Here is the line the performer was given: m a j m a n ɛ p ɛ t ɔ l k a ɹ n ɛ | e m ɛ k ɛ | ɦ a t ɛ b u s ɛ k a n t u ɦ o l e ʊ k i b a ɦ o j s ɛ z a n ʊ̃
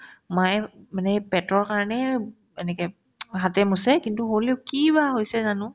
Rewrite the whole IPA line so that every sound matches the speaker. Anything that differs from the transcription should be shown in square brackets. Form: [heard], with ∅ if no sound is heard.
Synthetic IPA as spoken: m a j m a n ɛ p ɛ t ɔ [ɹ] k a ɹ n ɛ | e [n] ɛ k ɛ | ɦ a t ɛ [m] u s ɛ k [i] n t u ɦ o l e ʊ k i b a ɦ o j s ɛ z a n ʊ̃